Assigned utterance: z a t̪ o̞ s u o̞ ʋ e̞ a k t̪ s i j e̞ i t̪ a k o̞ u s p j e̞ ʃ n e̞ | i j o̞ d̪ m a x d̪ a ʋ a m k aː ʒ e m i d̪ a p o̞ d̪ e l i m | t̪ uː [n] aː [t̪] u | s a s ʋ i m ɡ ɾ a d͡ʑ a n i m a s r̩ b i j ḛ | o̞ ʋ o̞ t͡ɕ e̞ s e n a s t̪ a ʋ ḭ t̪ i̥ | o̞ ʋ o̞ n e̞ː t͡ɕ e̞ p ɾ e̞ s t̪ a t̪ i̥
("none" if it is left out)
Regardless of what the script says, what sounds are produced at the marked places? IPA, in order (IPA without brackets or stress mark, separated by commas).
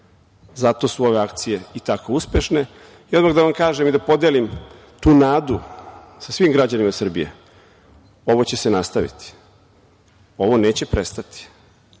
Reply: n, d̪